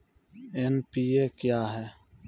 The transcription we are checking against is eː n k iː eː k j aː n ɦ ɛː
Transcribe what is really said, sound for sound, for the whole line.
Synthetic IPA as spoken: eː n p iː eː k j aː ɦ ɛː